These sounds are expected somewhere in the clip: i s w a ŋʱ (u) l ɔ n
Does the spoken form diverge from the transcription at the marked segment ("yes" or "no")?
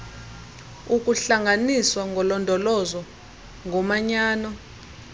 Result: yes